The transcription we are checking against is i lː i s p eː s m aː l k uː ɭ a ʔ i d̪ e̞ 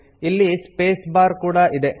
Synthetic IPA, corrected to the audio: i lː i s p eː s b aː ɾ k uː ɽ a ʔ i d̪ e̞